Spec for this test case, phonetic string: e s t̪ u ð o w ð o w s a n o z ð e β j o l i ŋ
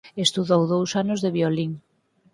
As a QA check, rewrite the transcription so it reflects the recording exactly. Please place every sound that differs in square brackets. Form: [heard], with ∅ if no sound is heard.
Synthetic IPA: e s t̪ u ð o w ð o w s a n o z ð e β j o l i ŋ